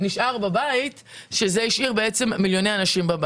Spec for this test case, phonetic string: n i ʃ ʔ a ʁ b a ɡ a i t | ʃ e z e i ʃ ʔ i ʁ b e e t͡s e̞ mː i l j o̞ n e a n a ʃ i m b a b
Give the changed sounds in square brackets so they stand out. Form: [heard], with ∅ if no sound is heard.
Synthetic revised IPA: n i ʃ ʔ a ʁ b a [b] a i t | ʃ e z e i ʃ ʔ i ʁ b e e t͡s e̞ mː i l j o̞ n e a n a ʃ i m b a b